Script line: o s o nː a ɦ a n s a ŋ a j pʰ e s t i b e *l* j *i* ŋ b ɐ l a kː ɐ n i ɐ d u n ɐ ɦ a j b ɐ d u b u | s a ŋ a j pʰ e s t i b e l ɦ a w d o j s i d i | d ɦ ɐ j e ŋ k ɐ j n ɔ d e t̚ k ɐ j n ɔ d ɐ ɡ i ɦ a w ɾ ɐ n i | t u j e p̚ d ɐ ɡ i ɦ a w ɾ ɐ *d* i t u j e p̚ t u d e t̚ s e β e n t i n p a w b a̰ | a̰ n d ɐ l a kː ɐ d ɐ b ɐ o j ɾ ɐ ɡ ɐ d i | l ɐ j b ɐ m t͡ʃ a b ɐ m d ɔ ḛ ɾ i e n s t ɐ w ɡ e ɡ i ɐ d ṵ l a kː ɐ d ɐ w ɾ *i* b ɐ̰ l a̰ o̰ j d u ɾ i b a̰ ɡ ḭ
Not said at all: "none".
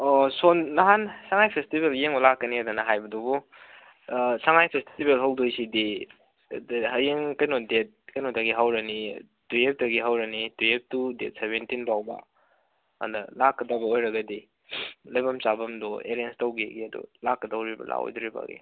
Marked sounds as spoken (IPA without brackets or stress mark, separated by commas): l, e, n, i